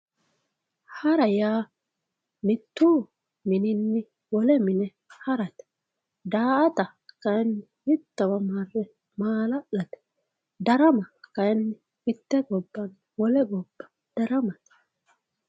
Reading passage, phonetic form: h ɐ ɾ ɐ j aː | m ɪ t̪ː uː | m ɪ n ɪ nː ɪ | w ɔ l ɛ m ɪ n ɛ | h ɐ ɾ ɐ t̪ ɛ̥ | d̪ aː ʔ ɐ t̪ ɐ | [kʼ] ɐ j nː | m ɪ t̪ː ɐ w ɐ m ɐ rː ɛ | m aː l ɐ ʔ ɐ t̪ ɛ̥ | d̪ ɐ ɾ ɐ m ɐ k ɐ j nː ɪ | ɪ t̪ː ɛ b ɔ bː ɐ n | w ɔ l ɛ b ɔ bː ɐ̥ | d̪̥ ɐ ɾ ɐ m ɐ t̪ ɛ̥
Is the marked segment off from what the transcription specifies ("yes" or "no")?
yes